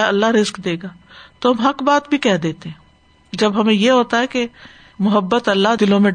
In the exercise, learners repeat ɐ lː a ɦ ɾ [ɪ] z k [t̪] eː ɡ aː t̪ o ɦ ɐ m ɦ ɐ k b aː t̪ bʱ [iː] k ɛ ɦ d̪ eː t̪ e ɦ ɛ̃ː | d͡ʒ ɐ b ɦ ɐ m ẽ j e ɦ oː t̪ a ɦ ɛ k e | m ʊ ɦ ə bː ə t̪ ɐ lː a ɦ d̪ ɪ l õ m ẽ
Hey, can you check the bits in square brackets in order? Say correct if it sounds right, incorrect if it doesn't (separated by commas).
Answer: correct, incorrect, incorrect